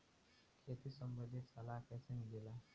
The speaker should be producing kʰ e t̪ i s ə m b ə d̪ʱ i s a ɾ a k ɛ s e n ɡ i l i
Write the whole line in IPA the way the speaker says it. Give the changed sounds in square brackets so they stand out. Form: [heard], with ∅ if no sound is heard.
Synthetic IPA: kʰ e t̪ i s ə m b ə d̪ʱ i s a [l] a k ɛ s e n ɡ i l [a]